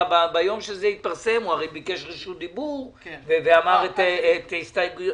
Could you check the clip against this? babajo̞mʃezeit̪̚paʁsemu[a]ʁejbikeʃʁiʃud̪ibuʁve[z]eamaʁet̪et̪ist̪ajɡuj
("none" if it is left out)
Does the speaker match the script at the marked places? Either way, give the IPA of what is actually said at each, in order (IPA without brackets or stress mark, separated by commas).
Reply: a, v